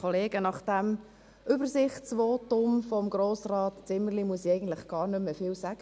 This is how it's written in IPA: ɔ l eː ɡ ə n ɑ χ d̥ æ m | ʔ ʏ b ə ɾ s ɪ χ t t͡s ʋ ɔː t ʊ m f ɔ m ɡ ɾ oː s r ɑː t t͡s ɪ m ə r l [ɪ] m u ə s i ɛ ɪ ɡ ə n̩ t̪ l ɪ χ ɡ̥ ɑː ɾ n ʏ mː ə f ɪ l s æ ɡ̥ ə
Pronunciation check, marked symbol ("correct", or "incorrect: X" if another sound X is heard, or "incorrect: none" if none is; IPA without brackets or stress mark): incorrect: i